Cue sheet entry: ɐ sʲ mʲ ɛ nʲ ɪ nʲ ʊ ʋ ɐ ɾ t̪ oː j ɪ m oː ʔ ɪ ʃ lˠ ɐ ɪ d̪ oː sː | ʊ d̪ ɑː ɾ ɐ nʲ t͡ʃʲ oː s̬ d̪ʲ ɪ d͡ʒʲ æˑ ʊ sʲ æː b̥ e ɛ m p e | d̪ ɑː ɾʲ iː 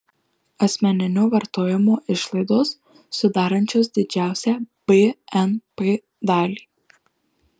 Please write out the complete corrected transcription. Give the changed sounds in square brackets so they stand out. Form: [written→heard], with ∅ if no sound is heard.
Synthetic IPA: ɐ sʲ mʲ ɛ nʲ ɪ nʲ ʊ ʋ ɐ ɾ t̪ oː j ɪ m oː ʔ ɪ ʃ lˠ ɐ ɪ d̪ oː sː | ʊ d̪ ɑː ɾ ɐ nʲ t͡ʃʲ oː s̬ d̪ʲ ɪ d͡ʒʲ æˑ ʊ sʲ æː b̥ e ɛ [m→n] p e | d̪ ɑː [ɾʲ→lʲ] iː